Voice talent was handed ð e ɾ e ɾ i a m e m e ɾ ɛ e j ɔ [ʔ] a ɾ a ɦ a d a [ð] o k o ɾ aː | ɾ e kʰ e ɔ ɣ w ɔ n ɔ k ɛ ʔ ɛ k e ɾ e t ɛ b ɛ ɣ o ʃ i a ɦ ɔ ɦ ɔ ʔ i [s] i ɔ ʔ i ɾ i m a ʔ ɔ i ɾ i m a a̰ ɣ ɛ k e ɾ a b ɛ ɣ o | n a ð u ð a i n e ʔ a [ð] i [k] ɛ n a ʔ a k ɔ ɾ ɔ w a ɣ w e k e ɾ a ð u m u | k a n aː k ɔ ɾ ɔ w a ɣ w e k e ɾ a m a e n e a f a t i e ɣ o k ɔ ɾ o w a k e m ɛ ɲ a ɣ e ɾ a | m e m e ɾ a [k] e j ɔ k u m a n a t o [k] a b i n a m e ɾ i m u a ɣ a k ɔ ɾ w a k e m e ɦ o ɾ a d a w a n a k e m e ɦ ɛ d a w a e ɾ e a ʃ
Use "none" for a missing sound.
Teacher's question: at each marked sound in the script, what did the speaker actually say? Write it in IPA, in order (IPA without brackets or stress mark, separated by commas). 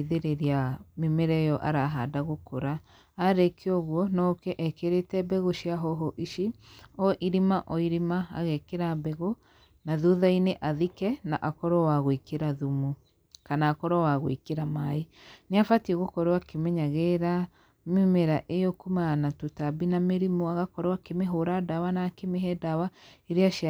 ʔ, ɣ, ʃ, ð, k, ʔ, t